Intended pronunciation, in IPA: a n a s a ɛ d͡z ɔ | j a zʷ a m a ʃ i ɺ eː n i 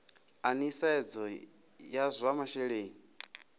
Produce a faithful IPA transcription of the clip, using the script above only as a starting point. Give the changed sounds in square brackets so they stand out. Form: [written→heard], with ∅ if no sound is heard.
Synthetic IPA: a n [a→i] s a ɛ d͡z ɔ | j a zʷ a m a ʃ [i→ɛ] ɺ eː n i